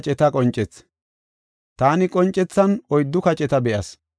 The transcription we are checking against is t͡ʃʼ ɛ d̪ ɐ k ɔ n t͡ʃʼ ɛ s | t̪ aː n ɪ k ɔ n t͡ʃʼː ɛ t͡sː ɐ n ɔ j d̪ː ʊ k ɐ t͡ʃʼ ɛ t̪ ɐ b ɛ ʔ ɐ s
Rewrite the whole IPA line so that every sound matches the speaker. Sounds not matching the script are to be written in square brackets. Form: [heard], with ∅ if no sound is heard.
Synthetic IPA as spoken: t͡ʃʼ ɛ [t̪] ɐ [kʼ] ɔ n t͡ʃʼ ɛ [t͡s] | t̪ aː n ɪ [kʼ] ɔ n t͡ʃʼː ɛ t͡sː ɐ n ɔ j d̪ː ʊ k ɐ t͡ʃʼ ɛ t̪ ɐ b ɛ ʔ ɐ s